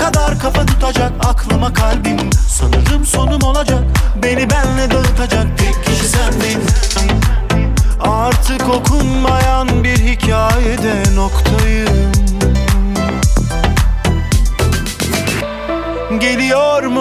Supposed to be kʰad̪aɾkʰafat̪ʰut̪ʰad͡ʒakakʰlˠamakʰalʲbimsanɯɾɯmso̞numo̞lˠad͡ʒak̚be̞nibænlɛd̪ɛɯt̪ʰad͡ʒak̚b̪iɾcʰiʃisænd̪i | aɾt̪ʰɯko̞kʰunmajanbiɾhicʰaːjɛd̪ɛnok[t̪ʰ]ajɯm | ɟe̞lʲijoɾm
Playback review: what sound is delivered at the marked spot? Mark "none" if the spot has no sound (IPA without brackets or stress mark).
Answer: t̪ʰ